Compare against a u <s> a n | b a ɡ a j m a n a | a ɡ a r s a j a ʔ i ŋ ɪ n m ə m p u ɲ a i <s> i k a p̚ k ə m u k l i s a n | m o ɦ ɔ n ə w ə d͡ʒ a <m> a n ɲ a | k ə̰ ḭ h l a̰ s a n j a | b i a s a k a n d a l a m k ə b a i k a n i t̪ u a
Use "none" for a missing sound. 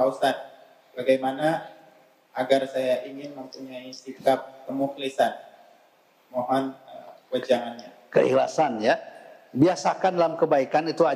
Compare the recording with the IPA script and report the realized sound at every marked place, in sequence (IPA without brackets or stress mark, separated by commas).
s, s, ŋ